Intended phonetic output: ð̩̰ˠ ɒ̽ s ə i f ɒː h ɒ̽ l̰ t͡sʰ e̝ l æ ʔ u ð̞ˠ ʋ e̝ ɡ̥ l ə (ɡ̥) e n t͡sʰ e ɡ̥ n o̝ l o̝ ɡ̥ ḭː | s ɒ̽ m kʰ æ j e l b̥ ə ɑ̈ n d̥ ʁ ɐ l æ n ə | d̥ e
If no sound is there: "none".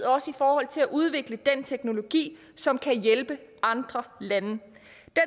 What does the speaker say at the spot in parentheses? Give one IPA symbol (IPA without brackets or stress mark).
d̥